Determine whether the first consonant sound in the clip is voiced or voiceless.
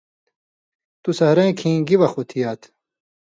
voiceless